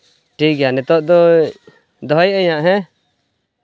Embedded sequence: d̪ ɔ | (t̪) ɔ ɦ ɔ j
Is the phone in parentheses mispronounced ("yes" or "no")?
yes